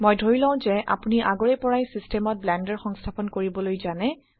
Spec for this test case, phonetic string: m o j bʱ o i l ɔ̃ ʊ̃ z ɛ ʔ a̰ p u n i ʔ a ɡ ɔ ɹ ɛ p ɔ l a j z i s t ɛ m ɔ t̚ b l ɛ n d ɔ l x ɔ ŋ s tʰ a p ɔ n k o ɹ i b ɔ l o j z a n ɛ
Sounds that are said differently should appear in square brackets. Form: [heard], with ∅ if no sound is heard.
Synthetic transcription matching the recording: m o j [dʱ] o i l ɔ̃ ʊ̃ z ɛ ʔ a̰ p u n i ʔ a ɡ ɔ ɹ ɛ p ɔ [ɹ] a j [s] i s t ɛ m ɔ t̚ b l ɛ n d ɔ [ɹ] x ɔ ŋ s tʰ a p ɔ n k o ɹ i b ɔ l o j z a n ɛ